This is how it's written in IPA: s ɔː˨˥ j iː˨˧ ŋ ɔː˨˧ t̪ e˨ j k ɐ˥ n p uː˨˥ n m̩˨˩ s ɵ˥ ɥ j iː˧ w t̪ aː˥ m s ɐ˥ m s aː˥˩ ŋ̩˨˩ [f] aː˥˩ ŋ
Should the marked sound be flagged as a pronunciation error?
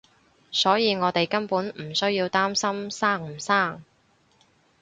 yes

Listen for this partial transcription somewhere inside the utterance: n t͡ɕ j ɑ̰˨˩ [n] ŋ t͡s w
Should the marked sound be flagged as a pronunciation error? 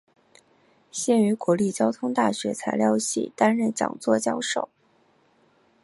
yes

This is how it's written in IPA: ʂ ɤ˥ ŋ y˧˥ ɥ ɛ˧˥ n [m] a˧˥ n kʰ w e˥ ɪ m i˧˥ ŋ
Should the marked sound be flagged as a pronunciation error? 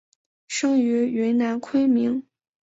yes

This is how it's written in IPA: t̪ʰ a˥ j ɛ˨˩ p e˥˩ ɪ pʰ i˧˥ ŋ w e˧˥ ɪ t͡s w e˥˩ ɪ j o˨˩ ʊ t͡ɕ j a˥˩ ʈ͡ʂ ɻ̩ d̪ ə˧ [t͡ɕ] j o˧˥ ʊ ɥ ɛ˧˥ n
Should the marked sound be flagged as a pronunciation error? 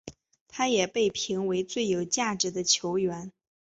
yes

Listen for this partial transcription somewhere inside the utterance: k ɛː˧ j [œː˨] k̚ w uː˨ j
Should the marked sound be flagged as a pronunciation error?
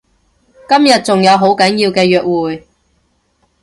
no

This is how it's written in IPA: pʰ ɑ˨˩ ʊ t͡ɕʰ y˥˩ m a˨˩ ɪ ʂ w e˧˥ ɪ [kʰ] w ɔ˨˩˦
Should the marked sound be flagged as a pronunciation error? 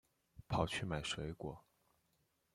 yes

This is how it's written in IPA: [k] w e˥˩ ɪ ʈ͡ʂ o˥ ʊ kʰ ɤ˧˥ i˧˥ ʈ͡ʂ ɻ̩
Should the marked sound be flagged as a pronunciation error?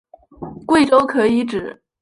no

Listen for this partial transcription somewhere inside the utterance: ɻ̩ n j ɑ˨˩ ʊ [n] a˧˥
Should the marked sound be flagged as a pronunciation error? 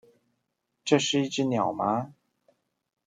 yes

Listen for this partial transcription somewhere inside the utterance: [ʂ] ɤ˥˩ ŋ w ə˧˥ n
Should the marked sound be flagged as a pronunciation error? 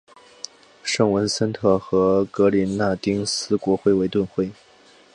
no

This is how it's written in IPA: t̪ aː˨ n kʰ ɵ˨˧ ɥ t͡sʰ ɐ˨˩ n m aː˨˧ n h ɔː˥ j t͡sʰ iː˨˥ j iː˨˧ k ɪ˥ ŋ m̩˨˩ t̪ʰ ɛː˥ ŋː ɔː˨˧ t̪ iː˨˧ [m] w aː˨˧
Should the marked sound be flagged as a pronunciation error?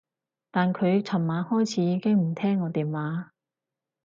no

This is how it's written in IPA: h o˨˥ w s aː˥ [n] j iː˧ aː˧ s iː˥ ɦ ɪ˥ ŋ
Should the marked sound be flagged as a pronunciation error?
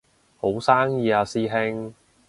yes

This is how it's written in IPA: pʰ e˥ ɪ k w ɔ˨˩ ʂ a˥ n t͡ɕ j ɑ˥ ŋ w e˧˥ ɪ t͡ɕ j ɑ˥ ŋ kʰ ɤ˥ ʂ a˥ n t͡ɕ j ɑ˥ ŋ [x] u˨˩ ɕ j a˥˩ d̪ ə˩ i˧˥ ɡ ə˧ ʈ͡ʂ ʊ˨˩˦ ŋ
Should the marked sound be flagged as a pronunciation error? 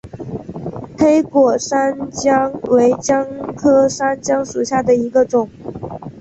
yes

